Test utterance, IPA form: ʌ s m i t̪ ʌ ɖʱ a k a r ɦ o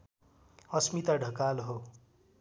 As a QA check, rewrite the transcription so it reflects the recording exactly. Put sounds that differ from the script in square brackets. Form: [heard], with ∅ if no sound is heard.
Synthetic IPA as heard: ʌ s m i t̪ [a] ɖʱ [ʌ] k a [l] ɦ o